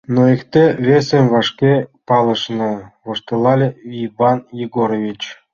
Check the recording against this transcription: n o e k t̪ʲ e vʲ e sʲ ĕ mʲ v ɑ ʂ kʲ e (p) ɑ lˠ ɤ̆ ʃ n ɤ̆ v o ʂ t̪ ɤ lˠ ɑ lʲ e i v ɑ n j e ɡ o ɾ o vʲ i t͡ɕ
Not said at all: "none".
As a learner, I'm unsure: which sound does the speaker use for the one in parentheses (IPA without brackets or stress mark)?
p